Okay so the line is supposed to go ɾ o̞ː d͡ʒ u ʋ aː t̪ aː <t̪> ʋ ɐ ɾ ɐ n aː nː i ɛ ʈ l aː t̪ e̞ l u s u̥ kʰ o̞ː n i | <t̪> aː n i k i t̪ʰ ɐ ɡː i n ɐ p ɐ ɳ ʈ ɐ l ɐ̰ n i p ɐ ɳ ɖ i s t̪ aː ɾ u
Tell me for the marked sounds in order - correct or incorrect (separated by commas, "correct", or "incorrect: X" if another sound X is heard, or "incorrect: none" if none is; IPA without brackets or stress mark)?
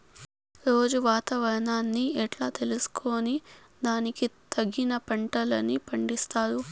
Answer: incorrect: none, incorrect: d̪